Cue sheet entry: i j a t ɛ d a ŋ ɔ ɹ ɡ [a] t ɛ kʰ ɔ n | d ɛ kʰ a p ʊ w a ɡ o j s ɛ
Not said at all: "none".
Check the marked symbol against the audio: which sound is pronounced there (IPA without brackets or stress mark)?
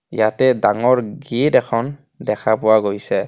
i